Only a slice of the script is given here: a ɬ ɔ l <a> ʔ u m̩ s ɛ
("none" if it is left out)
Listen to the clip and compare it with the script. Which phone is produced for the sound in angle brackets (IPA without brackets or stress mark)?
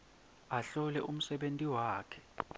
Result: ɛ